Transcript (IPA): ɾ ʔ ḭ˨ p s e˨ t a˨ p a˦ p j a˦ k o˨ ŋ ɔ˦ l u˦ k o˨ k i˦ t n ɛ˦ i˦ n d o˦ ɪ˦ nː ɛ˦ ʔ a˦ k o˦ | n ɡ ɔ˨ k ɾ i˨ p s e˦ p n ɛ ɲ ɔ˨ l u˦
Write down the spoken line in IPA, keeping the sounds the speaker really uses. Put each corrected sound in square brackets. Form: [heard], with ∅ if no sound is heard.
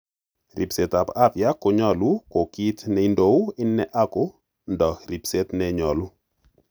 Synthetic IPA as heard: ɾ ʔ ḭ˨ p s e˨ t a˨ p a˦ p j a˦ k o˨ [ɲ] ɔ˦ l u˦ k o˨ k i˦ t n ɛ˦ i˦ n d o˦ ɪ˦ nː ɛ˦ ʔ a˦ k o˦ | n [d] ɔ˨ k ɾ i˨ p s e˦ [t] n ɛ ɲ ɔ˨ l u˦